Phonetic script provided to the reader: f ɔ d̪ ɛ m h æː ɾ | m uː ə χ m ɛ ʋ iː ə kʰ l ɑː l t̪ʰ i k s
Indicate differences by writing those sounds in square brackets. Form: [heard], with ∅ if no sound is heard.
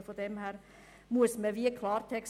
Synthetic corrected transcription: f ɔ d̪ ɛ m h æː ɾ | m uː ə [s] m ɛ ʋ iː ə kʰ l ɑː [ɾ] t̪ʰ [ɛ] k s